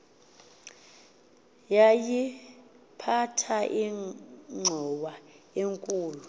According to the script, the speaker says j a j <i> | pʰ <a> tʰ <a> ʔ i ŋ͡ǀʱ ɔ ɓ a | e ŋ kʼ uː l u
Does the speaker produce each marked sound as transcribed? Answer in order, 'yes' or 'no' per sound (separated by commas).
yes, yes, yes